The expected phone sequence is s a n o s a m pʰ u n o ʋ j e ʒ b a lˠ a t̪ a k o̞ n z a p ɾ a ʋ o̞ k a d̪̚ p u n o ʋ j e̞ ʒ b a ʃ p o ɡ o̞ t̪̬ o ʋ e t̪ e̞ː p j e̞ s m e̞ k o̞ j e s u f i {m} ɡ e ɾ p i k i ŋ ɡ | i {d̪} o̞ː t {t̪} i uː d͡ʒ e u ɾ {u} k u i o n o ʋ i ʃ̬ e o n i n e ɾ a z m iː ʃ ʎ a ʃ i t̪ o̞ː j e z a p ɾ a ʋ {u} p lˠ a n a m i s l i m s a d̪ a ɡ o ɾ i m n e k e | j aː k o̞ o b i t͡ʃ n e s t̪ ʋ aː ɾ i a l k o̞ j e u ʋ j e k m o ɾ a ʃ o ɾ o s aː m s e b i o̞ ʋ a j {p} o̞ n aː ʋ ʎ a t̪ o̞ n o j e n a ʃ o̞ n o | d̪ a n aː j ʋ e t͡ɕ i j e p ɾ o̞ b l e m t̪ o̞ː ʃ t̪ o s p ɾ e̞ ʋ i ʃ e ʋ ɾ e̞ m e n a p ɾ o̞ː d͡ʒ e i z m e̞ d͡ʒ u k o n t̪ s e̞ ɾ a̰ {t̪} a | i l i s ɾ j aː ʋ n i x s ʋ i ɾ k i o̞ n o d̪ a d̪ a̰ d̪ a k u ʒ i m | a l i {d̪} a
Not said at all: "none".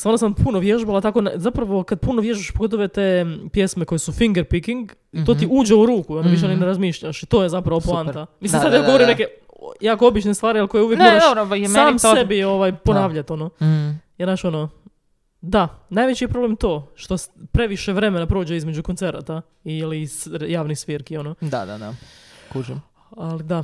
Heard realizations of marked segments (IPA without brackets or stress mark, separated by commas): ŋ, t̪, t̪, uː, o, p, t̪, d̪